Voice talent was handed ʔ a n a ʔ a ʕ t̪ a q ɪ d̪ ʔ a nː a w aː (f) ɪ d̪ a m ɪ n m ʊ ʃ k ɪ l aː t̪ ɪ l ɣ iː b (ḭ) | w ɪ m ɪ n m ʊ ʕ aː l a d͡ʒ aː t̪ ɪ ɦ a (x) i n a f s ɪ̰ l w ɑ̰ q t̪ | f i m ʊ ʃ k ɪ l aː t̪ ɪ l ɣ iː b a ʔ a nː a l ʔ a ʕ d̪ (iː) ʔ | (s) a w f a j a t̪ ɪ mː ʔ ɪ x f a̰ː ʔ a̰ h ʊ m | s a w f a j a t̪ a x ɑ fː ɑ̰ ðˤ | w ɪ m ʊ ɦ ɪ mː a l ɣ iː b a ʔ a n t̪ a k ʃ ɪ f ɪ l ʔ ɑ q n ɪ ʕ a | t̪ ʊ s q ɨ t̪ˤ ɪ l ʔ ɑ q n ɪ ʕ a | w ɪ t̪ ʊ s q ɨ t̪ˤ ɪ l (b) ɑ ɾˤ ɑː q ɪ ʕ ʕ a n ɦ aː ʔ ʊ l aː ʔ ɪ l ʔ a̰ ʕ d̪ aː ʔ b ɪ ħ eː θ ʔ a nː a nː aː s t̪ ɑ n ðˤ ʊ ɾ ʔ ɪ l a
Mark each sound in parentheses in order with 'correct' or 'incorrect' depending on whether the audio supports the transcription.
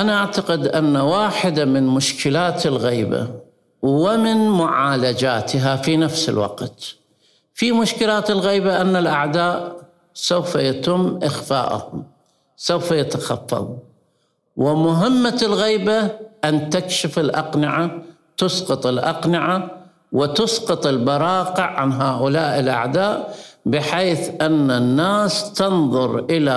incorrect: ħ, incorrect: a̰, incorrect: f, incorrect: aː, correct, correct

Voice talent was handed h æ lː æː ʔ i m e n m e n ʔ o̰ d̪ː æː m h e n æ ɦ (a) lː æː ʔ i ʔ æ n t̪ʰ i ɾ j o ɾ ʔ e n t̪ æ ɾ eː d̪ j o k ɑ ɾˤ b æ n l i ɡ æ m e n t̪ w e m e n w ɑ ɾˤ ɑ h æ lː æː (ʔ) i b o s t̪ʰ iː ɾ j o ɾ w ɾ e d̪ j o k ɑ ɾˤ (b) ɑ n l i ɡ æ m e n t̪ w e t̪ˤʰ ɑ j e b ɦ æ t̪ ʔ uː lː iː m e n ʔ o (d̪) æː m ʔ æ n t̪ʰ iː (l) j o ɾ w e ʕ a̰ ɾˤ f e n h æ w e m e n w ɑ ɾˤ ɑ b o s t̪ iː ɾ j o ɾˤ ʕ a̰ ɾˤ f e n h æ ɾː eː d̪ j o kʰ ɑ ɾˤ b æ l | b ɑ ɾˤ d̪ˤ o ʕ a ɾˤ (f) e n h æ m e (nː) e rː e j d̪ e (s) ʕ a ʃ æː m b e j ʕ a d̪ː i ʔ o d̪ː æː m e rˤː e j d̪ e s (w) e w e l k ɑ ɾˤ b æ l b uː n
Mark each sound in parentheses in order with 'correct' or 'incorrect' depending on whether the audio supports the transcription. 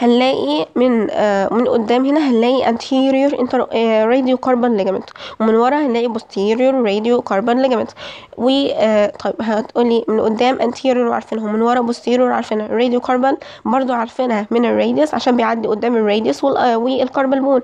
incorrect: æ, correct, correct, incorrect: d̪ː, incorrect: ɾ, correct, incorrect: n, correct, correct

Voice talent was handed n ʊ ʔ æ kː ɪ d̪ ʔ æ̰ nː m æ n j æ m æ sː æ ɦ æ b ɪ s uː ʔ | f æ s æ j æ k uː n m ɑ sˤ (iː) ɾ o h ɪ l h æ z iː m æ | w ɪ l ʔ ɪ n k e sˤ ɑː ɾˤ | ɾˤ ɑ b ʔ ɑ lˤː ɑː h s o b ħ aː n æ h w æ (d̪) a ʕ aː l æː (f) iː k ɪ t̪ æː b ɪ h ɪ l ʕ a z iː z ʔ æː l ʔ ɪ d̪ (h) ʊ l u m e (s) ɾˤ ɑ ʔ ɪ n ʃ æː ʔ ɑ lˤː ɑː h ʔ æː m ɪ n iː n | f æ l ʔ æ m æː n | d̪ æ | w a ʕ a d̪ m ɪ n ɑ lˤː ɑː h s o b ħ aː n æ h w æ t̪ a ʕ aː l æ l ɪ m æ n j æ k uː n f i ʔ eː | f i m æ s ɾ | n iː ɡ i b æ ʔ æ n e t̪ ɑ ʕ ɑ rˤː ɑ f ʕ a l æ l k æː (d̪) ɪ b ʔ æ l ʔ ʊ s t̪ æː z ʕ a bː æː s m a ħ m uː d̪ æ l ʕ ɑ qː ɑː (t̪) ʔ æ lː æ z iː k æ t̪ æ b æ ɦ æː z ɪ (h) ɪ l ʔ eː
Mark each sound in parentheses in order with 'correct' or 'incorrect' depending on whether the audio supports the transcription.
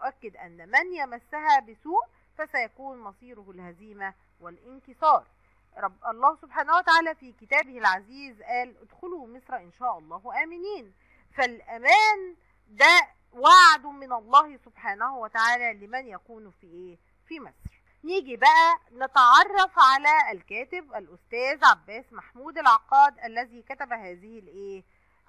correct, incorrect: t̪, correct, incorrect: x, correct, incorrect: t̪, incorrect: d̪, correct

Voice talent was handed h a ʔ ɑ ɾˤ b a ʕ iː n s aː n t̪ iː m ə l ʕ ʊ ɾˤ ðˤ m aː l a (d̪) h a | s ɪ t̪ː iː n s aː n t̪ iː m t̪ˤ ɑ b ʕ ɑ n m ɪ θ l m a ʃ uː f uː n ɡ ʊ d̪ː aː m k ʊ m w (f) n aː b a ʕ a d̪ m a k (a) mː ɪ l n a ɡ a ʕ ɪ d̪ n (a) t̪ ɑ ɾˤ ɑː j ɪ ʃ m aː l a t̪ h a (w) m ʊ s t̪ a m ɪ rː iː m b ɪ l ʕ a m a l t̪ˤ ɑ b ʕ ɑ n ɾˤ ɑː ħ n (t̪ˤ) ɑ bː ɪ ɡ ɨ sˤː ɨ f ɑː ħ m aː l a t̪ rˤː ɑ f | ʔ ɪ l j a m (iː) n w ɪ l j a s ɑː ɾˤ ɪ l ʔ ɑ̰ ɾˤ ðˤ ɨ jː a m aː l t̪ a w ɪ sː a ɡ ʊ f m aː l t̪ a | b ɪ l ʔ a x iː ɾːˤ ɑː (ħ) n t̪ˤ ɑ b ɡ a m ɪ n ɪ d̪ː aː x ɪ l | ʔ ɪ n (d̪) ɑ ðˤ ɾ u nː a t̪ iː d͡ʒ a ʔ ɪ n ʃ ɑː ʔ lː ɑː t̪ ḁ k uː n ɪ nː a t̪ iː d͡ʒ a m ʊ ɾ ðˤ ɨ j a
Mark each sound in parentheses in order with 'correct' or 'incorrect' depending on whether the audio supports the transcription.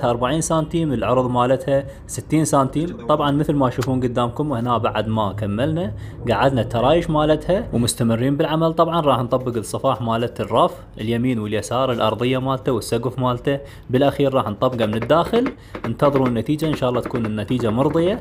incorrect: t̪, incorrect: h, correct, correct, correct, correct, correct, correct, incorrect: t̪

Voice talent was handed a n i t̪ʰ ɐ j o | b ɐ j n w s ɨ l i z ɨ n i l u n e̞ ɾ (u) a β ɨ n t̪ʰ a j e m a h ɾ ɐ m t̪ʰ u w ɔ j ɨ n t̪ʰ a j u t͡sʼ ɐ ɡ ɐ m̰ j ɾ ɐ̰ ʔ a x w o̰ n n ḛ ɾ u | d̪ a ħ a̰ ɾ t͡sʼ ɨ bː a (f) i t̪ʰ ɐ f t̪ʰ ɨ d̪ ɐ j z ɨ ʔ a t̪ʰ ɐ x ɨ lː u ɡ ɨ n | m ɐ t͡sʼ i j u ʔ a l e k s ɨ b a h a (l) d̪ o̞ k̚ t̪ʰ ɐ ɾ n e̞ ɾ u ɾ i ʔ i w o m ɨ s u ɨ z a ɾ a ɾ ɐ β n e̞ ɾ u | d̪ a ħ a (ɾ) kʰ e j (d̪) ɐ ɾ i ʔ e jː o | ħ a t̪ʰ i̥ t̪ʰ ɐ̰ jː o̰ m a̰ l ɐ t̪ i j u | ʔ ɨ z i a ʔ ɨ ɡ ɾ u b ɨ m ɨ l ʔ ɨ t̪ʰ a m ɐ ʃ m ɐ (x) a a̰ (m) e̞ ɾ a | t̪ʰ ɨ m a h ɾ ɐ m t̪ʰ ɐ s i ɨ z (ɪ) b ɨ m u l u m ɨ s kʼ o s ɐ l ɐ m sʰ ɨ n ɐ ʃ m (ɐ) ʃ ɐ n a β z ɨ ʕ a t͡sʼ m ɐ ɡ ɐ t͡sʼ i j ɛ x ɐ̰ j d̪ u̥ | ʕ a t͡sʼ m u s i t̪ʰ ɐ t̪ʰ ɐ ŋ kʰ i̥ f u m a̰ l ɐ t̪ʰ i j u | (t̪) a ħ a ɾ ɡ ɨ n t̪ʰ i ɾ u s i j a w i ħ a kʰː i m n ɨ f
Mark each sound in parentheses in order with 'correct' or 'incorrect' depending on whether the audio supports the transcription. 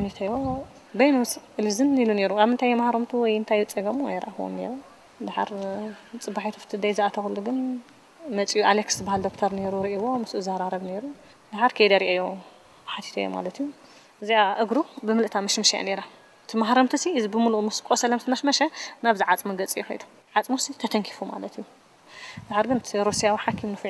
correct, incorrect: ħ, correct, correct, correct, incorrect: ʃ, incorrect: n, incorrect: i, correct, incorrect: d̪

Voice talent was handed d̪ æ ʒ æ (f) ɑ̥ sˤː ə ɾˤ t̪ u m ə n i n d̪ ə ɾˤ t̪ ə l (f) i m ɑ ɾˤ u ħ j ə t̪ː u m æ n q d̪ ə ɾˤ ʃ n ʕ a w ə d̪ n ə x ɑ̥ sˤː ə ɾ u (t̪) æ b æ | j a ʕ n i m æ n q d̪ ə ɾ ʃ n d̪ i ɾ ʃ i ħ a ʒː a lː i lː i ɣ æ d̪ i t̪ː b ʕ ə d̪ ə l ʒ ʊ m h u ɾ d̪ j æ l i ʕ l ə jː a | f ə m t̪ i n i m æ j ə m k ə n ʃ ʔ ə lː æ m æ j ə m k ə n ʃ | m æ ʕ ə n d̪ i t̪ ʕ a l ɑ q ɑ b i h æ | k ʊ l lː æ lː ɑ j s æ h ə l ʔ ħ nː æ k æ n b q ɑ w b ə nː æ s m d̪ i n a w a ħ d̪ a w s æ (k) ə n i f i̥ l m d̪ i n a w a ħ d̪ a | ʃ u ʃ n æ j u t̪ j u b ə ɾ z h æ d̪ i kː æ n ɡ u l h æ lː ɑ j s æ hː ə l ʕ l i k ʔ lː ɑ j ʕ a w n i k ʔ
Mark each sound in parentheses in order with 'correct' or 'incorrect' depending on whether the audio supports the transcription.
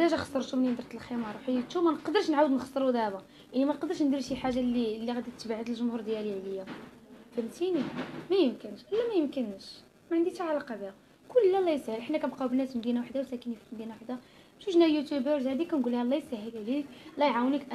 incorrect: x, incorrect: x, incorrect: d̪, correct

